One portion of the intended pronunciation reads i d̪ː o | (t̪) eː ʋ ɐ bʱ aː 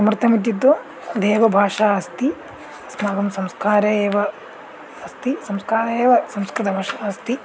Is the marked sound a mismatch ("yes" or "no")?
yes